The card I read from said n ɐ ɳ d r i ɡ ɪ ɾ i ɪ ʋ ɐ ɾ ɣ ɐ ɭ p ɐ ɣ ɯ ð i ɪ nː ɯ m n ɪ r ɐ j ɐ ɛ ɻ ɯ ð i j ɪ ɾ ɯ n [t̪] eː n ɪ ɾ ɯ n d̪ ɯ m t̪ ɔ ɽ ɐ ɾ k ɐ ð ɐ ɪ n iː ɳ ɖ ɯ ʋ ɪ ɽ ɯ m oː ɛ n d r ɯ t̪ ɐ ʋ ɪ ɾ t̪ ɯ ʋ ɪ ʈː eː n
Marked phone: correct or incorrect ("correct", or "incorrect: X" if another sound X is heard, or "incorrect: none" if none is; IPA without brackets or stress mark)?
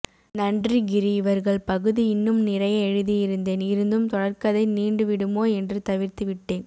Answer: incorrect: d̪